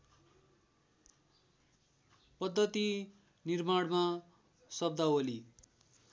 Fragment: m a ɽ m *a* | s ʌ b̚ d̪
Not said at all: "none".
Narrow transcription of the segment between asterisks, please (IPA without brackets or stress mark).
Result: a